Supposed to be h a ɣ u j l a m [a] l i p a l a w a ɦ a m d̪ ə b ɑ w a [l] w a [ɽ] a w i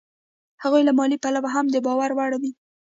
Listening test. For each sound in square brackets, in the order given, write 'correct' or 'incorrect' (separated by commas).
incorrect, incorrect, correct